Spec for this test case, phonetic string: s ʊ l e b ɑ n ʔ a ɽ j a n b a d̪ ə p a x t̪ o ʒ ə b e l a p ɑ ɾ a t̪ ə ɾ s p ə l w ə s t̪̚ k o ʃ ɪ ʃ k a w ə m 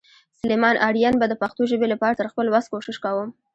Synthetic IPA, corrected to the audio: s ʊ l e m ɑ n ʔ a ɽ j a n b a d̪ ə p a x t̪ o ʒ ə b e l a p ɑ ɾ a t̪ ə ɾ x p ə l w a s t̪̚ k o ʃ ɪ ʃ k a w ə m